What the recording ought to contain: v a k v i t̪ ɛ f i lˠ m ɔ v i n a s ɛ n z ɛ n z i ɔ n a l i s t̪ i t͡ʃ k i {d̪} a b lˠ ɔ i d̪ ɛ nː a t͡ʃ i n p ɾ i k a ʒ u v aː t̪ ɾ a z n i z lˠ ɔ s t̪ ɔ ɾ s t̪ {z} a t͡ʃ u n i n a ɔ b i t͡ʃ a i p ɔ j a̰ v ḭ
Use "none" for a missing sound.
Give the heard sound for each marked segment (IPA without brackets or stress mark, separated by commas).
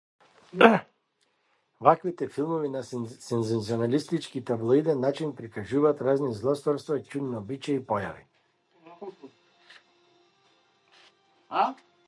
t̪, v